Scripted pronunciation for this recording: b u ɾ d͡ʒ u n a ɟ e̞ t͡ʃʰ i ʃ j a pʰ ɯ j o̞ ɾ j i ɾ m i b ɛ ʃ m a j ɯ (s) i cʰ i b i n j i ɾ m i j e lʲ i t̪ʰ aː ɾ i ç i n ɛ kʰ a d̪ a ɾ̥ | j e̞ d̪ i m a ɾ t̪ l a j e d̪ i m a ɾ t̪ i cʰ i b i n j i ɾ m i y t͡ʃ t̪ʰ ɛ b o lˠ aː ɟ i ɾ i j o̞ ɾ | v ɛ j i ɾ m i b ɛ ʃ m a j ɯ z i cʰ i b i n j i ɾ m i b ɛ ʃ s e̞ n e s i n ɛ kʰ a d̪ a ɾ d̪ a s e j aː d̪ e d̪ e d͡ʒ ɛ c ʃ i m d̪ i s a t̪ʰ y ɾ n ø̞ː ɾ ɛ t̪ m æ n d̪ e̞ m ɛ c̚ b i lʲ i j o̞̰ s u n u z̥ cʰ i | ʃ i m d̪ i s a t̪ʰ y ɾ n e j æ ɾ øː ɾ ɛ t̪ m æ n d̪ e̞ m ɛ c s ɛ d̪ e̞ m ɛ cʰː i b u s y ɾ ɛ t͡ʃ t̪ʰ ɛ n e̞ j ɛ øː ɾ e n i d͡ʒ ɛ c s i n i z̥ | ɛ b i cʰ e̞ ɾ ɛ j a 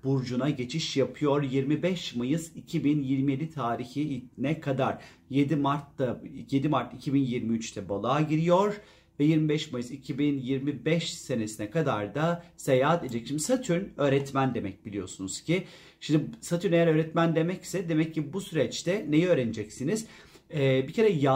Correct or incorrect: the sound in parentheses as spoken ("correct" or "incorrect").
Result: incorrect